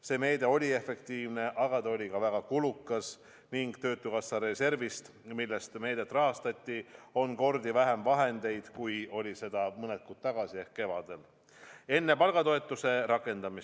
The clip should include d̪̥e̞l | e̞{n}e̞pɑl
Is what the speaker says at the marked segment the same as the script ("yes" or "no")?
no